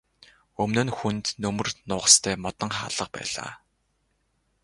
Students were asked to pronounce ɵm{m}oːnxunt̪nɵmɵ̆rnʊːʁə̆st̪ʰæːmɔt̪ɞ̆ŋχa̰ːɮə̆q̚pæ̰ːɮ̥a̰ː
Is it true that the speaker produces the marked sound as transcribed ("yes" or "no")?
no